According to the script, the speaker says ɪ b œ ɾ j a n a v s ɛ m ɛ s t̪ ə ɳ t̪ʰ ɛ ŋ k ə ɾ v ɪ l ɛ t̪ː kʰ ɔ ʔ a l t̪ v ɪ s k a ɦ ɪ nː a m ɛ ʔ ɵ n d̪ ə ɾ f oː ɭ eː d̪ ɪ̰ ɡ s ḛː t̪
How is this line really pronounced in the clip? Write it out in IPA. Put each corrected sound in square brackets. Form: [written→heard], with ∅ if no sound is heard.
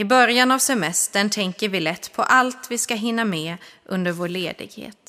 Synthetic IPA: ɪ b œ ɾ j a n a v s ɛ m ɛ s t̪ ə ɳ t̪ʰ ɛ ŋ k ə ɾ v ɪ l ɛ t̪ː [kʰ→pʰ] ɔ ʔ a l t̪ v ɪ s k a ɦ ɪ nː a m ɛ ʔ ɵ n d̪ ə ɾ [f→v] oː ɭ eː d̪ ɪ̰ ɡ [s→h] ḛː t̪